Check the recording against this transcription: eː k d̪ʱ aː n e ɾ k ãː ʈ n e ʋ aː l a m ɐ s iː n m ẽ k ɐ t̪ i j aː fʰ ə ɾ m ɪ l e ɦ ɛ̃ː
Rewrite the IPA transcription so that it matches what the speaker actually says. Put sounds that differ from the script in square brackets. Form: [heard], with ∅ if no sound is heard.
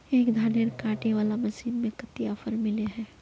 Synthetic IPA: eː k d̪ʱ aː n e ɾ k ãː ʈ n e ʋ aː l a m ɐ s iː n m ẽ k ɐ t̪ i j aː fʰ ə ɾ m ɪ l e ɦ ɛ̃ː